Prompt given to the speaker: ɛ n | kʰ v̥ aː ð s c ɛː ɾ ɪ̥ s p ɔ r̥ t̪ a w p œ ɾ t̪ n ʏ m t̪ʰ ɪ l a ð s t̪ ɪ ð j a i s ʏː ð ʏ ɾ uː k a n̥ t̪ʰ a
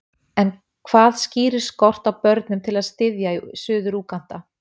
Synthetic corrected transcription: ɛ n | kʰ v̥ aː ð s c iː ɾ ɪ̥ s k ɔ r̥ t̪ a w p œ ɾ t̪ n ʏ m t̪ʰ ɪ l a ð s t̪ ɪ ð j a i s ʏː ð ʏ ɾ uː k a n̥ t̪ a